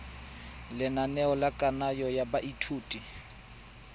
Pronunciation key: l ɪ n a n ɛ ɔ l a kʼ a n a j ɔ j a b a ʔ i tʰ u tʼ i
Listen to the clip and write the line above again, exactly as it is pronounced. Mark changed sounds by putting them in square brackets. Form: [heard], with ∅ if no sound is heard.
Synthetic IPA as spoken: l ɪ n a n ɛ ɔ l a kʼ a n a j ɔ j a b a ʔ i tʰ [uː] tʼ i